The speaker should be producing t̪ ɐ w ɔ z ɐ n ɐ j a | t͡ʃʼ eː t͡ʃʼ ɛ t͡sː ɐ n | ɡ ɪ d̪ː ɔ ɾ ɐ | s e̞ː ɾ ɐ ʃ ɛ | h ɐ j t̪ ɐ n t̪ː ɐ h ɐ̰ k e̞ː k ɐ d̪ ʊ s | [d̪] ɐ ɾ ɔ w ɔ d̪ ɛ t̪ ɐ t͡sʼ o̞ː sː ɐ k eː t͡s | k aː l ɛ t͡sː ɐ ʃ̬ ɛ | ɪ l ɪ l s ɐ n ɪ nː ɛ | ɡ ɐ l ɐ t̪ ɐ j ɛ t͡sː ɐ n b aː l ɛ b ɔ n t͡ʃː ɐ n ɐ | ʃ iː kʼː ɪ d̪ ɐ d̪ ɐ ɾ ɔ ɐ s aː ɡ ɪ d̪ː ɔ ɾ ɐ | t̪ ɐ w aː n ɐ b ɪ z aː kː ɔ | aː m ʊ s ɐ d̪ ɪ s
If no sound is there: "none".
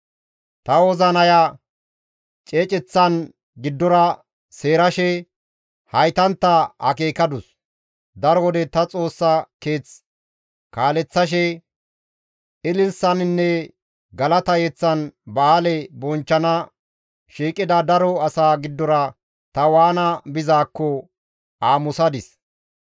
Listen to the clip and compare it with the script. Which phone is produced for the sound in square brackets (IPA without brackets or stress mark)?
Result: d̪